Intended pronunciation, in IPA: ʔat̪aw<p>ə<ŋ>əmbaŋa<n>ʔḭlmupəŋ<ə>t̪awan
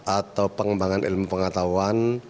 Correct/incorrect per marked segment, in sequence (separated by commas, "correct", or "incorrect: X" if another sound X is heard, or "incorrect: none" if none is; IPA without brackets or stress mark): correct, correct, correct, incorrect: a